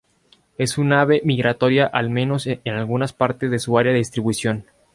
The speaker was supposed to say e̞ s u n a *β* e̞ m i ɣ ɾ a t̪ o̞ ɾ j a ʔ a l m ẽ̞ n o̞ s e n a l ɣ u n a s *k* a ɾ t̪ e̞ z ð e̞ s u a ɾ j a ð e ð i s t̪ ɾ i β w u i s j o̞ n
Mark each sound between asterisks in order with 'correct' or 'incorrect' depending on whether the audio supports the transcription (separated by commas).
correct, incorrect